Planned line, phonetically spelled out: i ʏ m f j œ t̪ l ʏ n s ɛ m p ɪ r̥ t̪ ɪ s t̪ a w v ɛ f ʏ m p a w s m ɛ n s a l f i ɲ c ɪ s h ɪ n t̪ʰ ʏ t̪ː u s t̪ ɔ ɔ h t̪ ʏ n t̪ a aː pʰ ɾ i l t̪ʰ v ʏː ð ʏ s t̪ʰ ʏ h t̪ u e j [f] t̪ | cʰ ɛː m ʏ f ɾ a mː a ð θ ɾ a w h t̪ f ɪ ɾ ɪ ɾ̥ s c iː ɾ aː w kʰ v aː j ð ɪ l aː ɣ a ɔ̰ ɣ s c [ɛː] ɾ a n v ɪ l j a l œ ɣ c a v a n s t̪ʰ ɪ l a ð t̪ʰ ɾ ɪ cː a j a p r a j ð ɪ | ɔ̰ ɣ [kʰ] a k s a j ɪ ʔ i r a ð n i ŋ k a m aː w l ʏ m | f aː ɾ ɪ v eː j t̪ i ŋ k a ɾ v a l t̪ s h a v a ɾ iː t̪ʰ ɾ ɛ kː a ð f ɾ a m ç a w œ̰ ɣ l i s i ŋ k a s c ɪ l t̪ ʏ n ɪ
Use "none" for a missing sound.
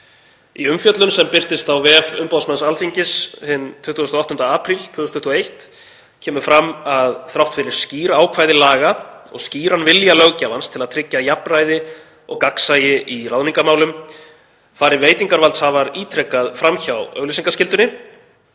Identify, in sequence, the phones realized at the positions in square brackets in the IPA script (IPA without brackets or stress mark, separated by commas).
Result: h, iː, k